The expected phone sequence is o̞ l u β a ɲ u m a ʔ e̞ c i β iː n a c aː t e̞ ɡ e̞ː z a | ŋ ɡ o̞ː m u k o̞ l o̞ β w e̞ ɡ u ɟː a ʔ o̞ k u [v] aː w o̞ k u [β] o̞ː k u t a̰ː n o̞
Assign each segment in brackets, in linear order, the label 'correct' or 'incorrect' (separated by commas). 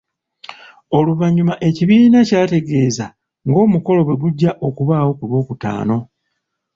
incorrect, correct